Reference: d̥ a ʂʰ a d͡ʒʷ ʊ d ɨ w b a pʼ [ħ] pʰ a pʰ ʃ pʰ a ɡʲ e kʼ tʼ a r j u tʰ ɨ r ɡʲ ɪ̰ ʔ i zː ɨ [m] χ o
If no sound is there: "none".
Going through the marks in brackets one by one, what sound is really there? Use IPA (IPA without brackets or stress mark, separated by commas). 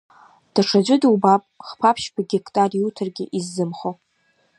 χ, m